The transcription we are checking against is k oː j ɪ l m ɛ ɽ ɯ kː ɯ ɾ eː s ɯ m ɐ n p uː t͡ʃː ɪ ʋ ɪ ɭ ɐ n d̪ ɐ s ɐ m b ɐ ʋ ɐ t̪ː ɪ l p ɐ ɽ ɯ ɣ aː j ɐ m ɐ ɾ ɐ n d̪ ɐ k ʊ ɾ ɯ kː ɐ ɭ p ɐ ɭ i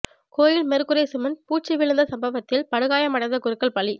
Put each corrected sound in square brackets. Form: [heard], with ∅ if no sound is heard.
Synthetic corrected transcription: k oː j ɪ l m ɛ [ɾ] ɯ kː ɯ ɾ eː s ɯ m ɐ n p uː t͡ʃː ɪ ʋ ɪ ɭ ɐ n d̪ ɐ s ɐ m b ɐ ʋ ɐ t̪ː ɪ l p ɐ ɽ ɯ ɣ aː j ɐ m ɐ [ɽ] ɐ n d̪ ɐ k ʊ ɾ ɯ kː ɐ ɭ p ɐ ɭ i

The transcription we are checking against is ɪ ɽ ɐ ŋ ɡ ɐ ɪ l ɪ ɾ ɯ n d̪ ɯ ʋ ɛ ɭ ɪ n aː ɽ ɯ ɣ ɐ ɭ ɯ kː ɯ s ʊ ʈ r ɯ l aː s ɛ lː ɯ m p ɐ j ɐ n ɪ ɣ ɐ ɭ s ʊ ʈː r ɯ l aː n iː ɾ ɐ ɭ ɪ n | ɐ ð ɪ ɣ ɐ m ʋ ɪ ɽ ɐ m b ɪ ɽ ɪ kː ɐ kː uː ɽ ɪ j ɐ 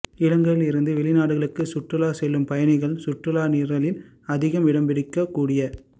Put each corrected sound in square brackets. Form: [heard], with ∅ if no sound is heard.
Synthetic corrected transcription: ɪ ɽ ɐ ŋ ɡ ɐ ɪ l ɪ ɾ ɯ n d̪ ɯ ʋ ɛ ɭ ɪ n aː ɽ ɯ ɣ ɐ ɭ ɯ kː ɯ s ʊ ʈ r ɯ l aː s ɛ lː ɯ m p ɐ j ɐ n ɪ ɣ ɐ ɭ s ʊ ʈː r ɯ l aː n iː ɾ ɐ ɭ ɪ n | ɐ ð ɪ ɣ ɐ m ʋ ɪ ɽ ɐ m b ɪ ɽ ɪ kː ɐ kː uː ɽ ɪ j ɐ

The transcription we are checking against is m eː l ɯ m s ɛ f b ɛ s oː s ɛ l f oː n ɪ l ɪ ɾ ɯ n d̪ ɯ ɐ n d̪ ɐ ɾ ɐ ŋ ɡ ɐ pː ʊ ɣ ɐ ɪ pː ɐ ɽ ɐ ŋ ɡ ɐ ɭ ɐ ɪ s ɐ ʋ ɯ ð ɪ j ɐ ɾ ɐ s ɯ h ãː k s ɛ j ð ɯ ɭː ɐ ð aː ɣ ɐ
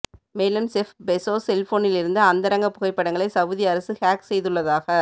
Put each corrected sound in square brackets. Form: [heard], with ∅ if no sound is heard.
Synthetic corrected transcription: m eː l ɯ m s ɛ f b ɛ s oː s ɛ l f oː n ɪ l ɪ ɾ ɯ n d̪ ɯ ɐ n d̪ ɐ ɾ ɐ ŋ ɡ ɐ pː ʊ ɣ ɐ ɪ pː ɐ ɽ ɐ ŋ ɡ ɐ ɭ ɐ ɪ s ɐ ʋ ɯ ð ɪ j ɐ ɾ ɐ s ɯ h [aː] k s ɛ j ð ɯ ɭː ɐ ð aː ɣ ɐ

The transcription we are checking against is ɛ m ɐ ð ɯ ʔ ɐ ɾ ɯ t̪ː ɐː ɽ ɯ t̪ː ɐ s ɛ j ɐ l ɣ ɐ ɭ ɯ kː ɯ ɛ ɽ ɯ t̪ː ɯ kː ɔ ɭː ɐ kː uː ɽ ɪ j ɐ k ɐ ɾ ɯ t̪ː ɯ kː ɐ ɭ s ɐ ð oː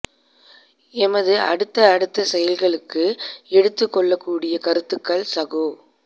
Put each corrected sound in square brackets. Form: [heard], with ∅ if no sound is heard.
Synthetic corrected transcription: ɛ m ɐ ð ɯ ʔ ɐ [ɽ] ɯ t̪ː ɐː ɽ ɯ t̪ː ɐ s ɛ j ɐ l ɣ ɐ ɭ ɯ kː ɯ ɛ ɽ ɯ t̪ː ɯ kː ɔ ɭː ɐ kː uː ɽ ɪ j ɐ k ɐ ɾ ɯ t̪ː ɯ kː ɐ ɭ s ɐ [ɣ] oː

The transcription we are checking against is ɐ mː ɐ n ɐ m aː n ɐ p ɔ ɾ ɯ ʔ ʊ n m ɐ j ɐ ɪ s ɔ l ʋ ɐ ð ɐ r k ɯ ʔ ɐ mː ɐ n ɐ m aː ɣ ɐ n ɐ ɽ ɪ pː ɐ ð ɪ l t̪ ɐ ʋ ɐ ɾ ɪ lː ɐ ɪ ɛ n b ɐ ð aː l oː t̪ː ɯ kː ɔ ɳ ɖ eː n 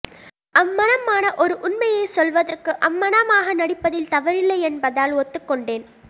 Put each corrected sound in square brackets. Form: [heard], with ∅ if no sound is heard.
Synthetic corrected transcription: ɐ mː ɐ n ɐ m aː n ɐ [ʔ] ɔ ɾ ɯ ʔ ʊ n m ɐ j ɐ ɪ s ɔ l ʋ ɐ ð ɐ r k ɯ ʔ ɐ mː ɐ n ɐ m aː ɣ ɐ n ɐ ɽ ɪ pː ɐ ð ɪ l t̪ ɐ ʋ ɐ ɾ ɪ lː ɐ ɪ ɛ n b ɐ ð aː l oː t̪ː ɯ kː ɔ ɳ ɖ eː n

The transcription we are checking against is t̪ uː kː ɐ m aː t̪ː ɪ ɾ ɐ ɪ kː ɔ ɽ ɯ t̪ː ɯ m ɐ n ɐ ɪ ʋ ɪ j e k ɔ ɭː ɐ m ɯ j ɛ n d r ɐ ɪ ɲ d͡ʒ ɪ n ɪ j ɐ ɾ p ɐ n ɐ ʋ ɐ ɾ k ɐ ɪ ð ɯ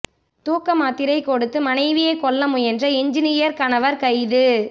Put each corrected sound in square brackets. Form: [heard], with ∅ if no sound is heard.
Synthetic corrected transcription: t̪ uː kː ɐ m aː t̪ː ɪ ɾ ɐ ɪ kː ɔ ɽ ɯ t̪ː ɯ m ɐ n ɐ ɪ ʋ ɪ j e k ɔ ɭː ɐ m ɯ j ɛ n d r ɐ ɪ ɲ d͡ʒ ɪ n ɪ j ɐ ɾ [k] ɐ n ɐ ʋ ɐ ɾ k ɐ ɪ ð ɯ

